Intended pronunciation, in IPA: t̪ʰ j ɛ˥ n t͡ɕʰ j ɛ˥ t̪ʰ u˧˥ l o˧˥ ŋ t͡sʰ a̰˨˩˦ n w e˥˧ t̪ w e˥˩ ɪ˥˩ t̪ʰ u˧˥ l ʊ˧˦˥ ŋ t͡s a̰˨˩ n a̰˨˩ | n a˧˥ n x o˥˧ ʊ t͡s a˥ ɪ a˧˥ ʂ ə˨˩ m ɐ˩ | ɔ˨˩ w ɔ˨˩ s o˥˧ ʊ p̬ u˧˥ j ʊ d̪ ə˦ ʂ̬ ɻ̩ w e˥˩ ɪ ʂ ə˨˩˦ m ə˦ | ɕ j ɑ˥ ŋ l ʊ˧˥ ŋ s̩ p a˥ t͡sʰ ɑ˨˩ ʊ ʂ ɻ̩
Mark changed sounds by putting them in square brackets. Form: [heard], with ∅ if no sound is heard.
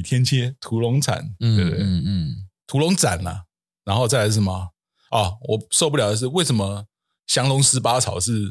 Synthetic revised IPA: t̪ʰ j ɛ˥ n t͡ɕʰ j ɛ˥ t̪ʰ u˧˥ l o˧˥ ŋ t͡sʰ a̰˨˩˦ n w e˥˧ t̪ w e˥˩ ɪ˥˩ t̪ʰ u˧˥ l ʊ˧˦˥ ŋ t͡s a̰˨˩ n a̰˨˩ | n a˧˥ n x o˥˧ ʊ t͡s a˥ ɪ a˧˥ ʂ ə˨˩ m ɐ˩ | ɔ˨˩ w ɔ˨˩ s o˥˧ ʊ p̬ [u˥˩] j ʊ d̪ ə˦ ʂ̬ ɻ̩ w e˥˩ ɪ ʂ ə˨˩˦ m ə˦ | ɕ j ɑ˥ ŋ l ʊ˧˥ ŋ s̩ p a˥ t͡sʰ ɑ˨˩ ʊ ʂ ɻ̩